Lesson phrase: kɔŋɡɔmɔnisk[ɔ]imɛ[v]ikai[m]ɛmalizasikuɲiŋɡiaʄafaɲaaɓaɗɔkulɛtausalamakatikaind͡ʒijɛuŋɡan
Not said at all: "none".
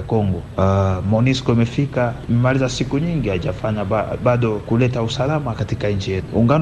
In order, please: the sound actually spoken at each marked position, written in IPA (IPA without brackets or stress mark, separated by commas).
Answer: ɔ, f, m